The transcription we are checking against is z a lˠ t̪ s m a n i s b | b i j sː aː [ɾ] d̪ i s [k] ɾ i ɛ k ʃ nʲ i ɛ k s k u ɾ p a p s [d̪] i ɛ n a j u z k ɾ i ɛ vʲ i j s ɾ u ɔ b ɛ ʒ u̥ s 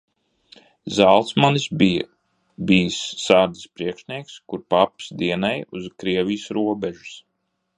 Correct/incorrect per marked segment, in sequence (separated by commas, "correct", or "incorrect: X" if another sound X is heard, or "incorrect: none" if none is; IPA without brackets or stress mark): correct, incorrect: p, correct